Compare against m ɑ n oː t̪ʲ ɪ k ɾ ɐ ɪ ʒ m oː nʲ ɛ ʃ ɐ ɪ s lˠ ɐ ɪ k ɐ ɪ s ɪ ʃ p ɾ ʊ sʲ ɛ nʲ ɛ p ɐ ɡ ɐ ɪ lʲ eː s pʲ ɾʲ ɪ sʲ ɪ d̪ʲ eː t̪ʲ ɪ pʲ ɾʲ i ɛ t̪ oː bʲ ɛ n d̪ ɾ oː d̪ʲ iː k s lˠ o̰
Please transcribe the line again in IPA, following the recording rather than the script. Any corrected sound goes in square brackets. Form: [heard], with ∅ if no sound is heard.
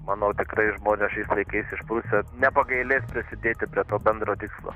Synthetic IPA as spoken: m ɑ n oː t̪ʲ ɪ k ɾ ɐ ɪ ʒ m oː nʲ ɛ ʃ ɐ ɪ s lˠ ɐ ɪ k ɐ ɪ s ɪ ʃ p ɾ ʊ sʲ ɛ nʲ ɛ p ɐ ɡ ɐ ɪ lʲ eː s pʲ ɾʲ ɪ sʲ ɪ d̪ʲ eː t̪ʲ ɪ pʲ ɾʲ i ɛ t̪ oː bʲ ɛ n d̪ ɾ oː [t̪ʲ] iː k s lˠ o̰